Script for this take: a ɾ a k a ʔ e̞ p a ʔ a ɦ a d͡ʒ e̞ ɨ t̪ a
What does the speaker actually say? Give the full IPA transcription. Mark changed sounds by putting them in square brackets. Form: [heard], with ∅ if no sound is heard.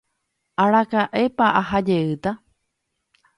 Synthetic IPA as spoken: a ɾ a k a ʔ e̞ p a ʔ a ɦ a d͡ʒ e̞ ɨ t̪ a